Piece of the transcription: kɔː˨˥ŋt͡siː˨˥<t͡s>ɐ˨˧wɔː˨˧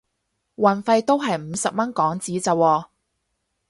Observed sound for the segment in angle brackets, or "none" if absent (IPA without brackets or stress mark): t͡s